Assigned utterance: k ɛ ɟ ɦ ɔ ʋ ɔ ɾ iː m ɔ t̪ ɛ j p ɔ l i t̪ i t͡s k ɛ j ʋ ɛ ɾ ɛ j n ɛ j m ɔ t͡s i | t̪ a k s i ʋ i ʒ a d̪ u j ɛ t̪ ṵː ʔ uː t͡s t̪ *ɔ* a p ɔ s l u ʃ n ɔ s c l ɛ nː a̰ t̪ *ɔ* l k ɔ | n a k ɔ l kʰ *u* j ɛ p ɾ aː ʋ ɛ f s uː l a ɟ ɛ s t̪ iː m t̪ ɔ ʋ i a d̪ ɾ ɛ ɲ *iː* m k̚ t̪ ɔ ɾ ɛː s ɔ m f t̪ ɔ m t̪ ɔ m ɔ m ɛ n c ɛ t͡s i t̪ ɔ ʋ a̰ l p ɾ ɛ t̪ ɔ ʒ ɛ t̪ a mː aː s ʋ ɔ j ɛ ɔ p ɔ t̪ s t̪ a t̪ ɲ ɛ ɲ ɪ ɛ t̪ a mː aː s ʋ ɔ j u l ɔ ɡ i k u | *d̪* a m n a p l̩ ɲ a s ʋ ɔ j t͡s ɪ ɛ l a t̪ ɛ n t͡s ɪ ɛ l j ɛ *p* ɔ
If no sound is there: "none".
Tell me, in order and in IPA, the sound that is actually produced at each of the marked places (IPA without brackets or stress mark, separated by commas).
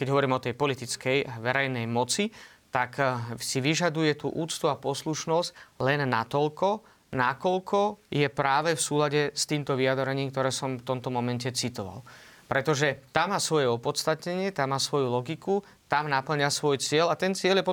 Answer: u, ɔ, ɔ, iː, t̪, p